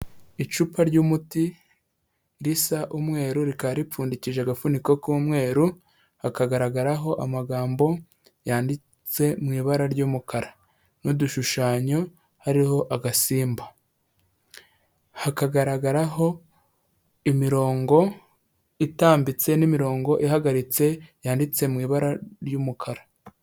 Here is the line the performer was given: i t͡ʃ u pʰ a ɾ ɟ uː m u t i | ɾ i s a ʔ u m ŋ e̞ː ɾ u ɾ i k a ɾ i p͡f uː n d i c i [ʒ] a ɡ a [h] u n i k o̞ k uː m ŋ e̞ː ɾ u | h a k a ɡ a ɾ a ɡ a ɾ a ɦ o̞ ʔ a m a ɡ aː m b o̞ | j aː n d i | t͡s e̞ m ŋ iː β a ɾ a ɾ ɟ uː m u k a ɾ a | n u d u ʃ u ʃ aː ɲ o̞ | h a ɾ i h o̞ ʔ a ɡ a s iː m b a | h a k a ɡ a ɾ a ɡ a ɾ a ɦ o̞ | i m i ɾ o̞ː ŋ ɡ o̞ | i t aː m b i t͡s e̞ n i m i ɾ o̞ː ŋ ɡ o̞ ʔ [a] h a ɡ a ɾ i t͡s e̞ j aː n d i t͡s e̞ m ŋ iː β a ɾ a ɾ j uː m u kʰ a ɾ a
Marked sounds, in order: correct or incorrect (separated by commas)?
correct, incorrect, incorrect